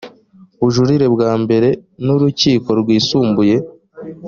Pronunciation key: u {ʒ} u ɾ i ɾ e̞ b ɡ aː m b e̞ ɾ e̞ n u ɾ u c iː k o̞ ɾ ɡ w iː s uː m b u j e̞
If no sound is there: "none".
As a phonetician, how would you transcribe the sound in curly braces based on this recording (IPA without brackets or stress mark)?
ʒ